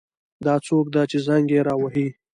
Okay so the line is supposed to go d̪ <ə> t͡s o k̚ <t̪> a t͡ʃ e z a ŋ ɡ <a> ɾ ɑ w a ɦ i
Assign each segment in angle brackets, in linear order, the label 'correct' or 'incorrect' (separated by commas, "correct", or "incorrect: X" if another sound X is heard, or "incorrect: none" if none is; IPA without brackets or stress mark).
incorrect: ɑ, incorrect: d̪, incorrect: e